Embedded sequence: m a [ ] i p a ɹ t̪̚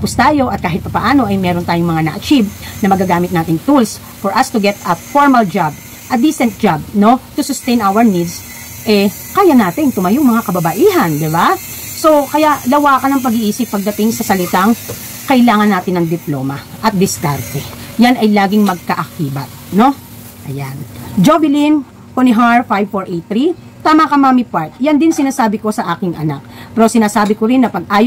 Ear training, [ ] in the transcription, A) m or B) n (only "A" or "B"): A